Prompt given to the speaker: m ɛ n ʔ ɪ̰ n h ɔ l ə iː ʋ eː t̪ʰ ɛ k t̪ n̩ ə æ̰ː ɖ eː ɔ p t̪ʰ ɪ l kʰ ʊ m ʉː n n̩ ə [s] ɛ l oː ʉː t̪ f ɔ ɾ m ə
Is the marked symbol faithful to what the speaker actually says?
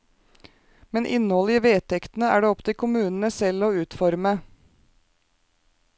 yes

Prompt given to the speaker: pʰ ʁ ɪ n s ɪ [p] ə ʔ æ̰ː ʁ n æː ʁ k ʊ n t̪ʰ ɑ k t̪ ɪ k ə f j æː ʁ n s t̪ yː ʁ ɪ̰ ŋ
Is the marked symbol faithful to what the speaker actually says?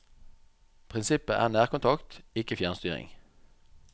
yes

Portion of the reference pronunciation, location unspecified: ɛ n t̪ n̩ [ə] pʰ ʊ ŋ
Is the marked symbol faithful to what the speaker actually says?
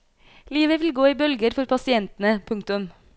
yes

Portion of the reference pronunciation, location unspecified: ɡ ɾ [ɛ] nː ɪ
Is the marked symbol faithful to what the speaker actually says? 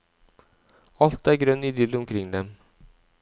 no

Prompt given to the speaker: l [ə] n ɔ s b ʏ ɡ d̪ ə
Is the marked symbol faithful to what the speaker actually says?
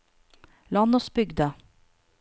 no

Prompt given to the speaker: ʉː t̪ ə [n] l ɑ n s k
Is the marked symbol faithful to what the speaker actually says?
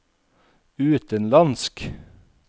yes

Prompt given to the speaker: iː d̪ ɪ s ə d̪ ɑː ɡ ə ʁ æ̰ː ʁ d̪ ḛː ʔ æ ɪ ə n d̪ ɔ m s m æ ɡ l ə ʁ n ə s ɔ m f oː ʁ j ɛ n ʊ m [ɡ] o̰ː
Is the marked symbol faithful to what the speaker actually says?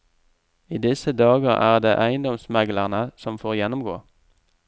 yes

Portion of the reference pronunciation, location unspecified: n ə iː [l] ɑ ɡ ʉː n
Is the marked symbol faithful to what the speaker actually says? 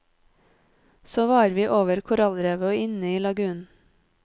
yes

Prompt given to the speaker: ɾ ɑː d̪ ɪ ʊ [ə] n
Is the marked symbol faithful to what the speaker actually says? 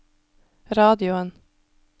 yes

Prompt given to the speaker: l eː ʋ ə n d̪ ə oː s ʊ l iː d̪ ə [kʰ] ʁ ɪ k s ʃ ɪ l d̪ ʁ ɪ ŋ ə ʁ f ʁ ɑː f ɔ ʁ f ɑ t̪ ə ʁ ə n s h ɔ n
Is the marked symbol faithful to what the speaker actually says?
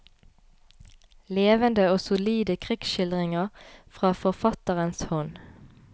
yes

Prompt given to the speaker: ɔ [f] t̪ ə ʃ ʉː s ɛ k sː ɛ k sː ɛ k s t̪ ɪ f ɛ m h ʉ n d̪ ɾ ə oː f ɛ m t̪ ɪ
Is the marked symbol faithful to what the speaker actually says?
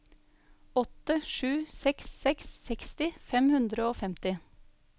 no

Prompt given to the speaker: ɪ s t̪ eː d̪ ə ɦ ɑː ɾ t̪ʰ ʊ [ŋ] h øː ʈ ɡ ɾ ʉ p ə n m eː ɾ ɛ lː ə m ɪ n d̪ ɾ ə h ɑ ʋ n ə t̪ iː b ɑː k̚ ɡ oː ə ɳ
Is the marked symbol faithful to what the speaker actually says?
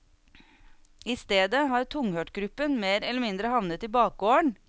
yes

